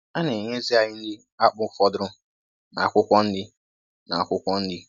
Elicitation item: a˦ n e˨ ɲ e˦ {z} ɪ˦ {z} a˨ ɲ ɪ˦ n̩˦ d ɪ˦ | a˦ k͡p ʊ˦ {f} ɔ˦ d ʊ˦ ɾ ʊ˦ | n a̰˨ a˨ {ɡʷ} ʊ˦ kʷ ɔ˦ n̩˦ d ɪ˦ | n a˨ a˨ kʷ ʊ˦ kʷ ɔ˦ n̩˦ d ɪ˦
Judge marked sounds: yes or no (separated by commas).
yes, no, yes, no